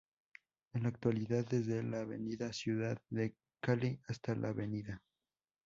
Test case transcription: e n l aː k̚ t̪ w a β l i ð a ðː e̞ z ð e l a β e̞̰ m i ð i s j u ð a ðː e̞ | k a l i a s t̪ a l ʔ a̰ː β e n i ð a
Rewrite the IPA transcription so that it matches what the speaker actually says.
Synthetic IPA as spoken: e n l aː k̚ t̪ w a l i ð a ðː e̞ z ð e l a β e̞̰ n i ð a s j u ð a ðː e̞ | k a l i a s t̪ a l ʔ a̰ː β e n i ð a